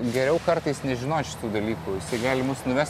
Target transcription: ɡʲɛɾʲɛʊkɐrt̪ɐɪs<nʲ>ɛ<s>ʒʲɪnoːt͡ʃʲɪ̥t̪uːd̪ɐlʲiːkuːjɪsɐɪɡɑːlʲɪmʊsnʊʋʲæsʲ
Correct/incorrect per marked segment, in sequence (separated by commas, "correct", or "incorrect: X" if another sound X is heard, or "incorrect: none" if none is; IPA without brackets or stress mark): correct, incorrect: none